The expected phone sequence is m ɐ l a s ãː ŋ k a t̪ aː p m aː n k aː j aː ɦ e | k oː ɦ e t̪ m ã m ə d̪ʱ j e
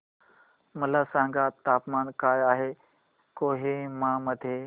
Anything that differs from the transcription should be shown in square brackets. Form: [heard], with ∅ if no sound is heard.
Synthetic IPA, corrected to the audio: m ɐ l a s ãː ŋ [ɡ] a t̪ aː p m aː n k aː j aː ɦ e | k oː ɦ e [∅] m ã m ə d̪ʱ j e